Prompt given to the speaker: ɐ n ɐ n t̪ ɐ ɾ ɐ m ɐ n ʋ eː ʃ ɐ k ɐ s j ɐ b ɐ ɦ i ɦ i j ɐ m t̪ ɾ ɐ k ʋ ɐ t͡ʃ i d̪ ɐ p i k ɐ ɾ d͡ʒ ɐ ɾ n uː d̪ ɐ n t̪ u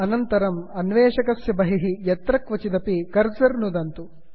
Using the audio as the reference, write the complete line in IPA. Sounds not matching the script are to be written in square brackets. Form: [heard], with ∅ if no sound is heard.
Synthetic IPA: ɐ n ɐ n t̪ ɐ ɾ ɐ m ɐ n ʋ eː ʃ ɐ k ɐ s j ɐ b ɐ ɦ i ɦ i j ɐ [∅] t̪ ɾ ɐ k ʋ ɐ t͡ʃ i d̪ ɐ p i k ɐ ɾ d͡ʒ ɐ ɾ n [u] d̪ ɐ n t̪ u